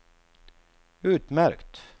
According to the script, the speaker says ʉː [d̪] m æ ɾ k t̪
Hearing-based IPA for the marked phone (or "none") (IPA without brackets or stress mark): t̪